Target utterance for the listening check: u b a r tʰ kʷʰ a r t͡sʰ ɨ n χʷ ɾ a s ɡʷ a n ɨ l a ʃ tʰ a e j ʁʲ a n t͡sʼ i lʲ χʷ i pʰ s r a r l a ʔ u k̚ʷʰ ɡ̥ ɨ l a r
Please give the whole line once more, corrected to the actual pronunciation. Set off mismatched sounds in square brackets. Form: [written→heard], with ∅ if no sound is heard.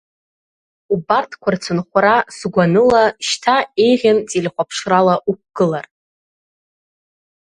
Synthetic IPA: u b a r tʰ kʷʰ a r t͡sʰ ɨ n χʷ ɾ a s ɡʷ a n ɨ l a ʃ tʰ a e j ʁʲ a n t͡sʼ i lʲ χʷ [i→a] pʰ [s→ʂ] r a [r→∅] l a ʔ u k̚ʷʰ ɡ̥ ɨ l a r